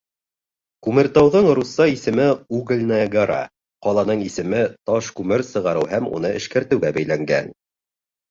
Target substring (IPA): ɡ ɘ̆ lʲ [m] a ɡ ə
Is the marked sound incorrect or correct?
incorrect